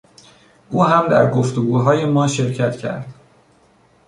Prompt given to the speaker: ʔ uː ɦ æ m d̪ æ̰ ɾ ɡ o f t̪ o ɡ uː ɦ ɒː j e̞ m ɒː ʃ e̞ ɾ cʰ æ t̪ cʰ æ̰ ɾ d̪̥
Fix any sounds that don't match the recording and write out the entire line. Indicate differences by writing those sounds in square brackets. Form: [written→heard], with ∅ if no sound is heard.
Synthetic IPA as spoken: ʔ uː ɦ æ m d̪ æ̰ ɾ ɡ o f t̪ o ɡ uː ɦ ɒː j e̞ m ɒː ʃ e̞ ɾ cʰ æ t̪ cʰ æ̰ ɾ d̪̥